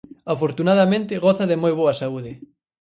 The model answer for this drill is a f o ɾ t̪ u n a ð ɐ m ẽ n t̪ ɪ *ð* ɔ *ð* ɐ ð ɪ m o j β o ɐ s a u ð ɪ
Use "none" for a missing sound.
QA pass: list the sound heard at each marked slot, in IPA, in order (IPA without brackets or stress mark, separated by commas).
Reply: ɣ, θ